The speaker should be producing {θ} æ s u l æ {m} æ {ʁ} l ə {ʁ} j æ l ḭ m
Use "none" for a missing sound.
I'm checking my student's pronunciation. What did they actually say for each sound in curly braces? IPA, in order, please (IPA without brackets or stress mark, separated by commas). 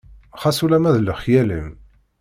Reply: χ, m, ð, χ